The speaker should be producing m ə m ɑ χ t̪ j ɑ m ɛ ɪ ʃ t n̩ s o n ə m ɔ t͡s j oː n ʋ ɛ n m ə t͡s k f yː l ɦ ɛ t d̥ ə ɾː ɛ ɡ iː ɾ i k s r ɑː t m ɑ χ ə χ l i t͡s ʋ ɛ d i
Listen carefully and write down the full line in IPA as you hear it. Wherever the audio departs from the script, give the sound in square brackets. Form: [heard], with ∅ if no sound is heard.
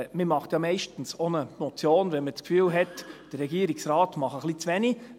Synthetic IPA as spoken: m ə m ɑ χ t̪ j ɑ m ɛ ɪ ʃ t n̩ s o n ə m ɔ t͡s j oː n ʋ ɛ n m ə t͡s k f yː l ɦ ɛ t d̥ ə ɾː ɛ ɡ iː ɾ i k s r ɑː t m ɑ χ ə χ l i t͡s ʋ ɛ [n] i

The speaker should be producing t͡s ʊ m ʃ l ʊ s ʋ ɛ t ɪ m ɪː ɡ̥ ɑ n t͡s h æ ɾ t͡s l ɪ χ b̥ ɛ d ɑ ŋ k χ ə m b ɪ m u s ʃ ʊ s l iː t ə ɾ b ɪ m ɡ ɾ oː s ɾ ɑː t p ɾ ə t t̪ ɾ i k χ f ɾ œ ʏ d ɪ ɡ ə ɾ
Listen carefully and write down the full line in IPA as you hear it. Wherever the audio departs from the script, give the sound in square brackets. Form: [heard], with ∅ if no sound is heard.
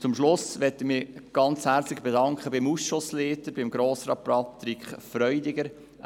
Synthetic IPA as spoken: t͡s ʊ m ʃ l ʊ s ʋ ɛ t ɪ m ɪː ɡ̥ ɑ n t͡s h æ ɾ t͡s l ɪ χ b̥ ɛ d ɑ ŋ k χ ə [∅] b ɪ m u s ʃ ʊ s l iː t ə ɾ b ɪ m ɡ ɾ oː s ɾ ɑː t p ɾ [ɑ] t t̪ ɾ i k χ f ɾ œ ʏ d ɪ ɡ ə ɾ

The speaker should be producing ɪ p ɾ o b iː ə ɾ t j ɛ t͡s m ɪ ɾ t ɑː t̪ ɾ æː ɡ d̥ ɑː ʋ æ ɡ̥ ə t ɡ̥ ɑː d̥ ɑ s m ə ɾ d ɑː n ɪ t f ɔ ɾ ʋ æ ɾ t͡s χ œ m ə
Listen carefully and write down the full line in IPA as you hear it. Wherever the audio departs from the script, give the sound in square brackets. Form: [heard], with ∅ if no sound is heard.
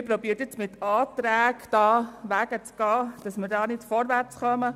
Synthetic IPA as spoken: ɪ p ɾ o b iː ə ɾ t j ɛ t͡s m ɪ [∅] t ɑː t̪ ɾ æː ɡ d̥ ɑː ʋ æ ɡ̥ ə [t͡s] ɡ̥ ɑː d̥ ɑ s m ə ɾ d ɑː n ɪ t f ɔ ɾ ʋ æ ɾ t͡s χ œ m ə

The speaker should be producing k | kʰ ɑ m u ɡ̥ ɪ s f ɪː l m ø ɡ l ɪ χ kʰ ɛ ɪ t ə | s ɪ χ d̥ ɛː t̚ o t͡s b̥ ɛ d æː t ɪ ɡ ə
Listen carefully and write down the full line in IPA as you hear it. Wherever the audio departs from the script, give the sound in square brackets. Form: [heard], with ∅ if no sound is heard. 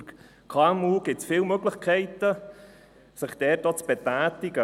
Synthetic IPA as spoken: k | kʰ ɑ m u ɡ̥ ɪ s f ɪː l m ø ɡ l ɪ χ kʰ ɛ ɪ t ə | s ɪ χ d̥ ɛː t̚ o t͡s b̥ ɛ [t] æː t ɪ ɡ ə

